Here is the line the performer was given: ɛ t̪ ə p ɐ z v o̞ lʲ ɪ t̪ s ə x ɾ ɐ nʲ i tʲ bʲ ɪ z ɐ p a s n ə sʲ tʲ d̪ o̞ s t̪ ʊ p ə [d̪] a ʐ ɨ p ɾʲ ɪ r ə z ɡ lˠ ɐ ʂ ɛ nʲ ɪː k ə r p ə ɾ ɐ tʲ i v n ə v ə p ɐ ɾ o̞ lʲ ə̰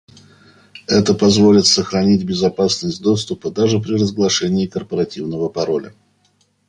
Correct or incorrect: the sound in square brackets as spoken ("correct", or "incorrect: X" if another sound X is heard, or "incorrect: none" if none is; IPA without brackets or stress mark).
correct